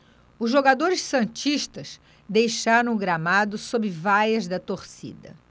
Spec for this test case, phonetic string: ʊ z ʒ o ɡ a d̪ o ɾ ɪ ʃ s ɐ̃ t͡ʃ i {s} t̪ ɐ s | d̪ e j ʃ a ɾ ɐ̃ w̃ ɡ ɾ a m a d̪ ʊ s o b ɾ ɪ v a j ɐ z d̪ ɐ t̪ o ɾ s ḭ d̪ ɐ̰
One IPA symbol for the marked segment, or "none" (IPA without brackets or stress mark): ʃ